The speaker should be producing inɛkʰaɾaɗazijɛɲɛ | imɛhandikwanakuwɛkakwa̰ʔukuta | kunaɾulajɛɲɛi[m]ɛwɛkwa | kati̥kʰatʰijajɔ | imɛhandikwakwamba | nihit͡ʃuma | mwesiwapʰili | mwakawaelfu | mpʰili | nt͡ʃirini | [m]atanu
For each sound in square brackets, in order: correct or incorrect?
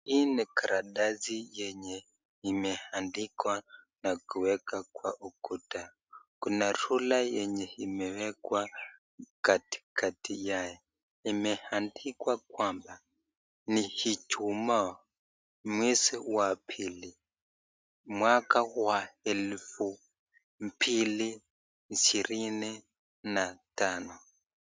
correct, incorrect

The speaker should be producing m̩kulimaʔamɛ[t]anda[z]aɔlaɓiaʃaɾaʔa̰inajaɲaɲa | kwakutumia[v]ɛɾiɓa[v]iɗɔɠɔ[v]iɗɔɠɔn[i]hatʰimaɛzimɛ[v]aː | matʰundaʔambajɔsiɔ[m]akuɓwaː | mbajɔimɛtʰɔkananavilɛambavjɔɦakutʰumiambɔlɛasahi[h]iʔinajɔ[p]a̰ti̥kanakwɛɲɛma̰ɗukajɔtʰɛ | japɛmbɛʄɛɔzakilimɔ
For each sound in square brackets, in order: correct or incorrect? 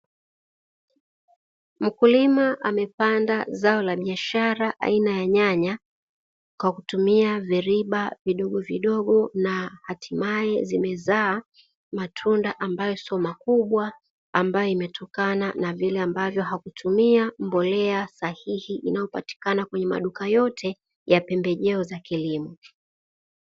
incorrect, correct, correct, correct, correct, incorrect, incorrect, correct, correct, correct

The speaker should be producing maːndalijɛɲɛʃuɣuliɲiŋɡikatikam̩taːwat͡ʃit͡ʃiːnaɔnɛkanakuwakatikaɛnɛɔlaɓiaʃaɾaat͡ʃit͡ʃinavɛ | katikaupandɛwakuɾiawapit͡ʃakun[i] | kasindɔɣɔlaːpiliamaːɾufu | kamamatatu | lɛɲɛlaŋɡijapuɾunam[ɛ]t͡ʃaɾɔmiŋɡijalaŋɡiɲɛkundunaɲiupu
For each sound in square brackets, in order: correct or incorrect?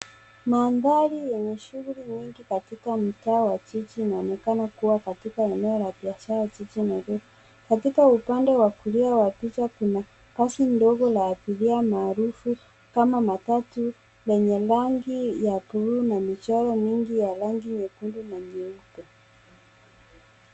incorrect, incorrect

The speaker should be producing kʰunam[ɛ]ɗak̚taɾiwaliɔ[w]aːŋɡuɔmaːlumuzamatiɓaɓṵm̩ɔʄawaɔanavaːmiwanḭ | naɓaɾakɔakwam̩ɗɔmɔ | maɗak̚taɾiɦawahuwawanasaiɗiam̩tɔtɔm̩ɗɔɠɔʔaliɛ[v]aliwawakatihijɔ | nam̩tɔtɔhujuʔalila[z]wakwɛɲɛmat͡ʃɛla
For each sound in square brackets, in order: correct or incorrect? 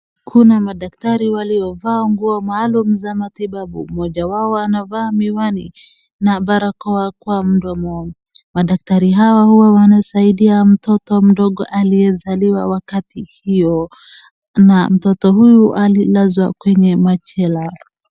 incorrect, incorrect, incorrect, correct

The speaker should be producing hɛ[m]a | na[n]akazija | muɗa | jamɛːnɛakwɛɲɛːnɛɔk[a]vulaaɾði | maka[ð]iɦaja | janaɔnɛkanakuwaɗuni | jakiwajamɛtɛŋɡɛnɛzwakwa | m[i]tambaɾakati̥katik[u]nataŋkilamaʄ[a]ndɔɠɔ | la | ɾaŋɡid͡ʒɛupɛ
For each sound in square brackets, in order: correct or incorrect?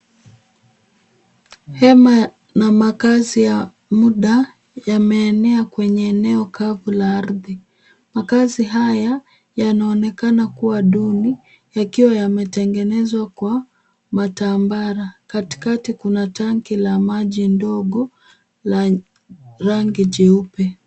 correct, incorrect, correct, incorrect, incorrect, correct, incorrect

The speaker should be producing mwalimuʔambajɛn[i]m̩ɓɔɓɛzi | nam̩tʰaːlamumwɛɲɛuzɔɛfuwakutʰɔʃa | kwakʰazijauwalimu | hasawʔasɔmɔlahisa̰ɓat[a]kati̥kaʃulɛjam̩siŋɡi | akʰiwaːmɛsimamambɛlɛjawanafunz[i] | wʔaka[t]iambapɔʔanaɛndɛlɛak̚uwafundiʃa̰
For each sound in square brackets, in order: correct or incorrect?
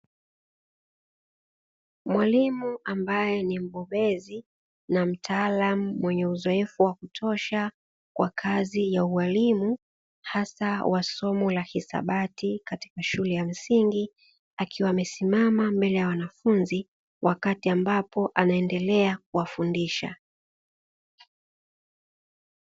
correct, incorrect, correct, correct

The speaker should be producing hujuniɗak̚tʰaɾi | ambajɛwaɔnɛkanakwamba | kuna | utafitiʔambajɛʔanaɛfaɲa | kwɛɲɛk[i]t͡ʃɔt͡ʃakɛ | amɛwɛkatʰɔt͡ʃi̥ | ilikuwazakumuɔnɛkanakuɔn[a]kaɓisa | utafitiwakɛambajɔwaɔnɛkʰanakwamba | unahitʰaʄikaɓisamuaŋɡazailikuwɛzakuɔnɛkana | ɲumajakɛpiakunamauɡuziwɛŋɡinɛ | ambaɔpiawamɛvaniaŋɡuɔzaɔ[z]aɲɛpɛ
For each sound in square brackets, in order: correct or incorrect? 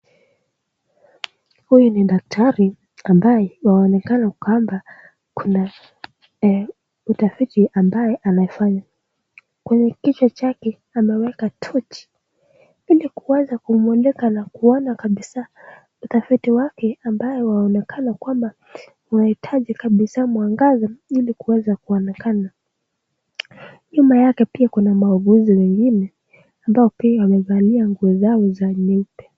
correct, correct, correct

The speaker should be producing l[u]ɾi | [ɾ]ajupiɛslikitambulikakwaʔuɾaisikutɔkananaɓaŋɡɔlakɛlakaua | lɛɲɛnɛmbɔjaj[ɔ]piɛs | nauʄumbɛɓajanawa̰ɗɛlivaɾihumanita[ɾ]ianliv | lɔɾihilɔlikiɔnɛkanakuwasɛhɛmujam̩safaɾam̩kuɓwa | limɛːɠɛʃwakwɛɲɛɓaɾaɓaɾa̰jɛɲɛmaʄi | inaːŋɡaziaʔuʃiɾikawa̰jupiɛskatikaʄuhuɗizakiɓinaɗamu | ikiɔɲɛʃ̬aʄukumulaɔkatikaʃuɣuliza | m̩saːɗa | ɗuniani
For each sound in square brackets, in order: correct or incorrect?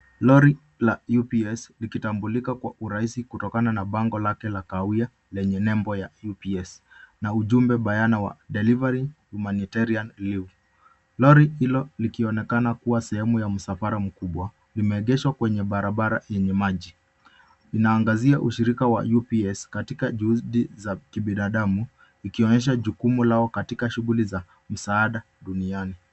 incorrect, incorrect, incorrect, correct

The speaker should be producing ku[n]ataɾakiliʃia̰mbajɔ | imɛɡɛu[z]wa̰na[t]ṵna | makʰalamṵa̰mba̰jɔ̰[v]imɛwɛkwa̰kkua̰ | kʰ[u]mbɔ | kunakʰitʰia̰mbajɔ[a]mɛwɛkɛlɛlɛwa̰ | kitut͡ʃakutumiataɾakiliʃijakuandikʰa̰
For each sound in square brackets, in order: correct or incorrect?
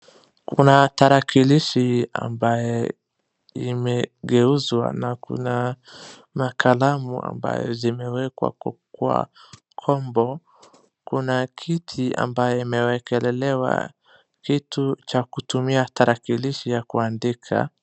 correct, correct, incorrect, incorrect, incorrect, incorrect

